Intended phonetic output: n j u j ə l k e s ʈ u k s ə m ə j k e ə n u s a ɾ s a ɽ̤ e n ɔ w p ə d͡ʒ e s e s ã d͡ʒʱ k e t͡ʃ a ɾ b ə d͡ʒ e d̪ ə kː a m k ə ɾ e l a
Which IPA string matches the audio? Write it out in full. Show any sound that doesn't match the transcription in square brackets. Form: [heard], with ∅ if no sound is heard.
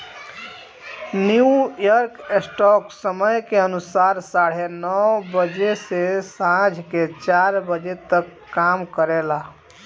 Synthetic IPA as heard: n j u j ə [ɾ] k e s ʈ [ɔ] k s ə m ə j k e ə n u s a ɾ s a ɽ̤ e n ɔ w [b] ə d͡ʒ e s e s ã d͡ʒʱ k e t͡ʃ a ɾ b ə d͡ʒ e [t̪] ə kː a m k ə ɾ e l a

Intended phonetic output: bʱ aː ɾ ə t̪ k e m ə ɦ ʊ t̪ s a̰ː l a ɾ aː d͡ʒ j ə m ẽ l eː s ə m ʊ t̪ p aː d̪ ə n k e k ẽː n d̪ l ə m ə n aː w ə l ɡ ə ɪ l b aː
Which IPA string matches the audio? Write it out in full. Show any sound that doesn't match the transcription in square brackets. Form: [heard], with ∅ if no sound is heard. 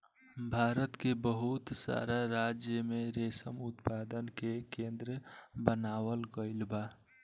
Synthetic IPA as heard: bʱ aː ɾ ə t̪ k e [b] ə ɦ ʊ t̪ s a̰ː [ɾ] a ɾ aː d͡ʒ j ə m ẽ [ɾ] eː s ə m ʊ t̪ p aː d̪ ə n k e k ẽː n d̪ [ɾ] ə [b] ə n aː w ə l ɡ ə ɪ l b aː

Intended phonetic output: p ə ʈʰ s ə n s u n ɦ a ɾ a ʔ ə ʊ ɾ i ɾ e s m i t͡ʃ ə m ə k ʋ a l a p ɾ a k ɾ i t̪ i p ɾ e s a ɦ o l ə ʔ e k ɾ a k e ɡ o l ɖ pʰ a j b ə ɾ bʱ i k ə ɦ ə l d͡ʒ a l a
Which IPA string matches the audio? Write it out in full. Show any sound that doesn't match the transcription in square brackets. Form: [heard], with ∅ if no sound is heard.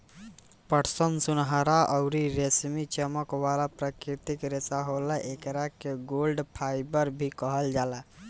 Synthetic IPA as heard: p ə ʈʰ s ə n s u n ɦ a ɾ a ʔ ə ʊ ɾ i ɾ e s m i t͡ʃ ə m ə k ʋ a l a p ɾ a k ɾ i t̪ i [k] ɾ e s a ɦ o l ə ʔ e k ɾ a k e ɡ o l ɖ pʰ a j b ə ɾ bʱ i k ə ɦ ə l d͡ʒ a l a

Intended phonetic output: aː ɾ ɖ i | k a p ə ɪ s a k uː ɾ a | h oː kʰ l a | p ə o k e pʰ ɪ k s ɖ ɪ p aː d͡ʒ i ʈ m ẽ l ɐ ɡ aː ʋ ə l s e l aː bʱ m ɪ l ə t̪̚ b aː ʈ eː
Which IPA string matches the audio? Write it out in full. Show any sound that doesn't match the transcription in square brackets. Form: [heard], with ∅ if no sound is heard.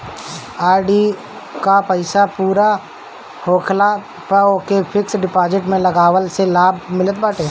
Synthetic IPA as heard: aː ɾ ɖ i | k a p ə ɪ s a [p] uː ɾ a | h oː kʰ l a | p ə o k e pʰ ɪ k s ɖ ɪ p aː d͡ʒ [ɪ] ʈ m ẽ l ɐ ɡ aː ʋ ə l s e l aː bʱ m ɪ l ə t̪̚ b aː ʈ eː

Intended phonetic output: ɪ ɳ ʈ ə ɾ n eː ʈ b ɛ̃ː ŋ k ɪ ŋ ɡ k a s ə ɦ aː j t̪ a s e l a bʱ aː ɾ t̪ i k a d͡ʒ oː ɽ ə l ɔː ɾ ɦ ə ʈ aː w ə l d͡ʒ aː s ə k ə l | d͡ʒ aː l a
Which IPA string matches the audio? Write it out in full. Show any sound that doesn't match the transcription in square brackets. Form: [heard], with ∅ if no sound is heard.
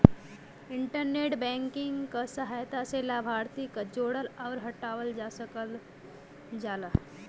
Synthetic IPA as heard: ɪ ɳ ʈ ə ɾ n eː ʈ b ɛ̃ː ŋ k ɪ ŋ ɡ k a s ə ɦ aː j t̪ a s e l a bʱ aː ɾ t̪ i k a d͡ʒ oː ɽ ə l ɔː ɾ ɦ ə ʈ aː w ə l d͡ʒ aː s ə k ə l | d͡ʒ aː l a

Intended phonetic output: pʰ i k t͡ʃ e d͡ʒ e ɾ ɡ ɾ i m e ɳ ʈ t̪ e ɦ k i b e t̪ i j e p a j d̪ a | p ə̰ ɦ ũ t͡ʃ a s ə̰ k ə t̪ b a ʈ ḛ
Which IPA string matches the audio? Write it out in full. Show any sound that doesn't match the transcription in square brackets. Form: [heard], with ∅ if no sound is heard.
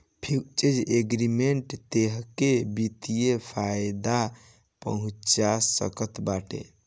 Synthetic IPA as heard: pʰ i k t͡ʃ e d͡ʒ e [∅] ɡ ɾ i m e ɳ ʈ t̪ e ɦ k [e] b [i] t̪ i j e [pʰ] a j d̪ a | p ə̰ ɦ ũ t͡ʃ a s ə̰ k ə t̪ b a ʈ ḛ

